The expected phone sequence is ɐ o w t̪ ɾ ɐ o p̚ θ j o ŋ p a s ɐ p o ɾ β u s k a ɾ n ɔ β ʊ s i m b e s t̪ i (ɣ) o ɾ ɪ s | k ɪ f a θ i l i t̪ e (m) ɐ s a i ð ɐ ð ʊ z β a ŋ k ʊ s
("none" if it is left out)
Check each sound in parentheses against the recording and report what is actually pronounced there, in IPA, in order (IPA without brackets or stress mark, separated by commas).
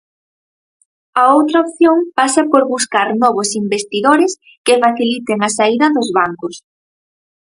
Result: ð, ŋ